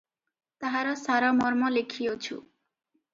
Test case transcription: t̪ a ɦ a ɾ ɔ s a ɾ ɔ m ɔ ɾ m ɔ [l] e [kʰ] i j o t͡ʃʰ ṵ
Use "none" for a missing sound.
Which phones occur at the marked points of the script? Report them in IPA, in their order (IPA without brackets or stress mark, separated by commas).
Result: l, kʰ